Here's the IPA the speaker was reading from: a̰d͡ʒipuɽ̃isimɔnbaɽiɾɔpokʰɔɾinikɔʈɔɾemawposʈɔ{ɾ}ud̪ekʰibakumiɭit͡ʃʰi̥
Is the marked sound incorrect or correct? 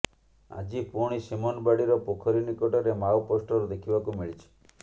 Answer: correct